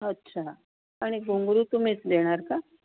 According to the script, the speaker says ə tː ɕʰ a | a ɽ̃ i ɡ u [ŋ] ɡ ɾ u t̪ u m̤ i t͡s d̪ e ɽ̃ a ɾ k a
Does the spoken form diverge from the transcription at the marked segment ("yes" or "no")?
no